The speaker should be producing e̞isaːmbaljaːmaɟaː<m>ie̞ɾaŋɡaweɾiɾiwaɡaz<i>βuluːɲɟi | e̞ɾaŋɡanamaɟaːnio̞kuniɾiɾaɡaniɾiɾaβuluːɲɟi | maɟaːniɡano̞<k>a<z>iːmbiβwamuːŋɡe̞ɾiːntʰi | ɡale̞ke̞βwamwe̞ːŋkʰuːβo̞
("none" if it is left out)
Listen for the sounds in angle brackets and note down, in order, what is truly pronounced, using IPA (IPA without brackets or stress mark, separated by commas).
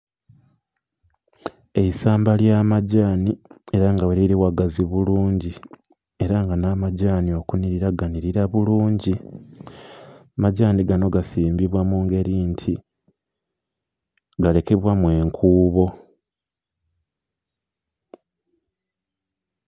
n, i, ɡ, s